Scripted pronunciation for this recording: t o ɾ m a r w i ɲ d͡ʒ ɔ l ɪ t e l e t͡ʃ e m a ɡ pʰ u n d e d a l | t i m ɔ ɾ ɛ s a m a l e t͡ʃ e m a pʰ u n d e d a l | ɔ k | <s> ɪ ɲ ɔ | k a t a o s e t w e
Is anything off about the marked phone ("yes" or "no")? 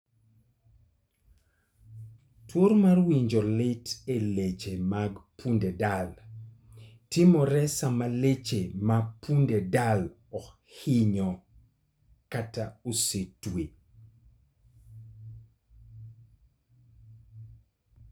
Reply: yes